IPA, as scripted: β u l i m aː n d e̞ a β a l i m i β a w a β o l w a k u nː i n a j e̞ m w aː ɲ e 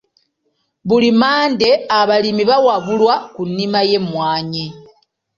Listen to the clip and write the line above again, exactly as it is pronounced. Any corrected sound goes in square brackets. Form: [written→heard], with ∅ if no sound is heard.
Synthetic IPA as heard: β u l i m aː n d e̞ a β a l i m i β a w a β [o→u] l w a k u nː i [n→m] a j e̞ m w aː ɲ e